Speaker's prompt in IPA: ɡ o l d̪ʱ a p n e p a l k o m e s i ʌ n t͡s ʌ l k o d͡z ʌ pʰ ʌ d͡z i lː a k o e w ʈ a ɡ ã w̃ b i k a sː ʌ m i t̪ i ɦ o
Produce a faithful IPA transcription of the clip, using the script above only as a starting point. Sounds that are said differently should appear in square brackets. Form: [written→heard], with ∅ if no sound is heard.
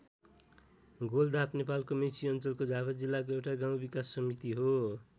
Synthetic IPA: ɡ o l d̪ʱ a p n e p a l k o m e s i ʌ n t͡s ʌ l k o d͡z [ʌ→a] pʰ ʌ d͡z i lː a k o e w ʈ a ɡ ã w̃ b i k a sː ʌ m i t̪ i ɦ o